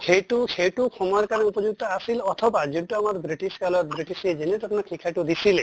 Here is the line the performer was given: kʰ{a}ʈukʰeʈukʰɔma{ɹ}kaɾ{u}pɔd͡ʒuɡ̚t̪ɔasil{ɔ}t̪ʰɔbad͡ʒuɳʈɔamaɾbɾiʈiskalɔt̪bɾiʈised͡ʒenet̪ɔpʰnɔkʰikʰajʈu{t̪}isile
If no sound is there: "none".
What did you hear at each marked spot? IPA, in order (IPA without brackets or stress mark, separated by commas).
e, ɾ, u, ɔ, d̪